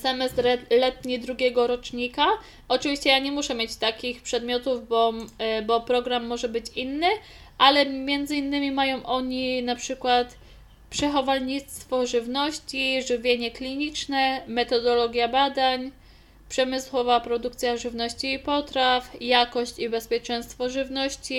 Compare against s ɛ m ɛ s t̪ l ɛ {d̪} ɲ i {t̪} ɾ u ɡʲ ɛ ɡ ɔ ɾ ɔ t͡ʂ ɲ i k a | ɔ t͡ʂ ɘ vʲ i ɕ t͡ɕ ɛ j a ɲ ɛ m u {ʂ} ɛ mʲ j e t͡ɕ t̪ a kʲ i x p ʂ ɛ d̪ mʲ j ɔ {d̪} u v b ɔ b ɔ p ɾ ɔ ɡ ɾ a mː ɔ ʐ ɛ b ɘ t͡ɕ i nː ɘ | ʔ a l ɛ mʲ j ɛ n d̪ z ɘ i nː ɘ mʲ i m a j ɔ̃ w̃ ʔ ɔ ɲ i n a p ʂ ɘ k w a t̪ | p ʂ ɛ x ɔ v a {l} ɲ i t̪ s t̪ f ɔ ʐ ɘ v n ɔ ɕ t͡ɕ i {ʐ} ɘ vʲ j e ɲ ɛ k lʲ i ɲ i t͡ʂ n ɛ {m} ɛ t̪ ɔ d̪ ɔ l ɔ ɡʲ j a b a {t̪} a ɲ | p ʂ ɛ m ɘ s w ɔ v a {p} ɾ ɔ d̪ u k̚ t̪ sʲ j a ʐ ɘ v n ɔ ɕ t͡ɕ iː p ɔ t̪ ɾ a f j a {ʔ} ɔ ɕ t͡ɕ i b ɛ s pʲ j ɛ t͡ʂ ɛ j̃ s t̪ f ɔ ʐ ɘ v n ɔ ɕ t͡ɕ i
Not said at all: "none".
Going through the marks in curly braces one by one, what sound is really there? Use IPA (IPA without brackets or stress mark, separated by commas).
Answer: t̪, d̪, ʂ, t̪, l, ʐ, m, d̪, p, k